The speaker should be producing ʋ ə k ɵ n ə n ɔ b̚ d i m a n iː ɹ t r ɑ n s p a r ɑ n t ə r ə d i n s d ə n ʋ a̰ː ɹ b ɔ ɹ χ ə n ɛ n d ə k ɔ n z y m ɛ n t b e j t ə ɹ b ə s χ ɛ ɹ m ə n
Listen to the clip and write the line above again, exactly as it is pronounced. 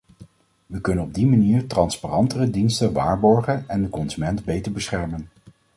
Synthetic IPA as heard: ʋ ə k ɵ n ə n ɔ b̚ d i m a n iː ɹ t r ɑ n s p a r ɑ n t ə r ə d i n s t ə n ʋ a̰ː ɹ b ɔ ɹ χ ə n ɛ n d ə k ɔ n z y m ɛ n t b e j t ə ɹ b ə s χ ɛ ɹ m ə n